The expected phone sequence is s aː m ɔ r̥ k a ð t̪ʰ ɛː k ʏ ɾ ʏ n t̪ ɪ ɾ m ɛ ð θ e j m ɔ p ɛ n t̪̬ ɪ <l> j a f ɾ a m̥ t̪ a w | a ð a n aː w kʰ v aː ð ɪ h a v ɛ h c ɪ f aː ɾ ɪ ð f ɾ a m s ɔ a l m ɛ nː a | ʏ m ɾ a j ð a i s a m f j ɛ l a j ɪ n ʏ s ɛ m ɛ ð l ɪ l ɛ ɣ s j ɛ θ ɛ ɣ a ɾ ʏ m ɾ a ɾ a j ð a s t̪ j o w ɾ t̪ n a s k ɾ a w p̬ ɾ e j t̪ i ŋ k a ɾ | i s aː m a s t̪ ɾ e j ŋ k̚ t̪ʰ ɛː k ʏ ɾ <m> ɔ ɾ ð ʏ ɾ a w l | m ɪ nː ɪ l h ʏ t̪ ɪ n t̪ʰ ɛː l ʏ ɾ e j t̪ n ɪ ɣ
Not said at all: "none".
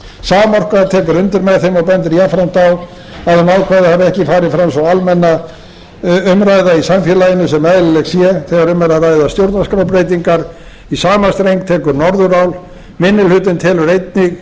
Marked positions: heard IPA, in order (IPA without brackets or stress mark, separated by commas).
ɾ, n